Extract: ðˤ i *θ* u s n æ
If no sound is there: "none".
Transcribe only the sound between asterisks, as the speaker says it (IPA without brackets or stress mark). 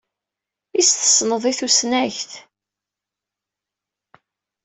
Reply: θ